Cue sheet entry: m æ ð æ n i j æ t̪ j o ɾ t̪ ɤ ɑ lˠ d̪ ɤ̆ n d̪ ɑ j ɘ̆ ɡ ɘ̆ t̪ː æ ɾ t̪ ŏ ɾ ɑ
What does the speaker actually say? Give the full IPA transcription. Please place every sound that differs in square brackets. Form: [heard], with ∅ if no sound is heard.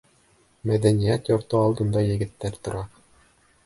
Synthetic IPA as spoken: m æ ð æ n i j æ t̪ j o ɾ t̪ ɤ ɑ lˠ d̪ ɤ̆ n d̪ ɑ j ɘ̆ ɡ ɘ̆ t̪ː æ ɾ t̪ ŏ ɾ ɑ